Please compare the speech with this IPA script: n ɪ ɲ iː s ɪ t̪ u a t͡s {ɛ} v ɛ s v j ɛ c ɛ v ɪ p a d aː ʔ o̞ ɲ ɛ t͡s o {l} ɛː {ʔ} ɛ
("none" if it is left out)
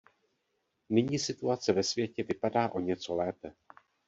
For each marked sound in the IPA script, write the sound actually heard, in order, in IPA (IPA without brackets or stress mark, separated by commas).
ɛ, l, p